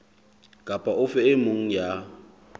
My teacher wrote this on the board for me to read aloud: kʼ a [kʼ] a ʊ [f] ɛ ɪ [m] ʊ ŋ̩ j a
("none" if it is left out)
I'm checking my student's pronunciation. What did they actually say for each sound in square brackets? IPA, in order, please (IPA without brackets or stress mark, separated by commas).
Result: pʼ, f, m